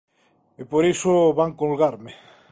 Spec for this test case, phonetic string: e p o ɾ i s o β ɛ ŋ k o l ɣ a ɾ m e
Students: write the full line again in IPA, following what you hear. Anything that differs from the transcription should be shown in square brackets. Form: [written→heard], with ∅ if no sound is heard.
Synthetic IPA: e p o ɾ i s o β [ɛ→a] ŋ k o l ɣ a ɾ m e